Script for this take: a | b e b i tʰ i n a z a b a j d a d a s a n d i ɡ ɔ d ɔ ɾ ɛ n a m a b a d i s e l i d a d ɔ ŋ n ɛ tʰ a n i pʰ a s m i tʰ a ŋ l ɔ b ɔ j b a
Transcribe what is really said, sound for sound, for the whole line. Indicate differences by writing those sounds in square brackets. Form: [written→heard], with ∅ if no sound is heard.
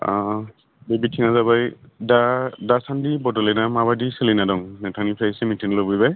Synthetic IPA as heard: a | b e b i tʰ i [n→ŋ] a z a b a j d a d a s a n d i [ɡ→b] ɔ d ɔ [ɾ→l] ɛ n a m a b a d i s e l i [d→n] a d ɔ ŋ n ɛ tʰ a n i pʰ a s m i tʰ [a→i] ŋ l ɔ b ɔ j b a